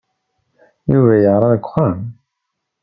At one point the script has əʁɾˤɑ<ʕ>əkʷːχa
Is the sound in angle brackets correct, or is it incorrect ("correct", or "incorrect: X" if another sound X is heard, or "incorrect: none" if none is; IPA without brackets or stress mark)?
incorrect: ð